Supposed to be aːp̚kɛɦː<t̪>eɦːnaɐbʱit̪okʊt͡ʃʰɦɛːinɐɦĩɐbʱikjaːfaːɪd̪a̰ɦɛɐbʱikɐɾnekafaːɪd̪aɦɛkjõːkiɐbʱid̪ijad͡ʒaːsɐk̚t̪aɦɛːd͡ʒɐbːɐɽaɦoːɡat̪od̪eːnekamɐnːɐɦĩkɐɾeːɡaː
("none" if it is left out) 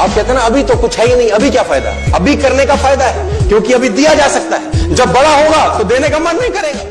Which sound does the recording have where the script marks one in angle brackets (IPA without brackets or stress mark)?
t̪